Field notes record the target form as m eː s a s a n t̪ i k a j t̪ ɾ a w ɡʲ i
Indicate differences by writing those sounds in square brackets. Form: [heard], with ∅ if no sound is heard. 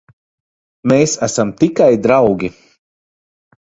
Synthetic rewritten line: m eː s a s a [m] t̪ i k a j [d̪] ɾ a w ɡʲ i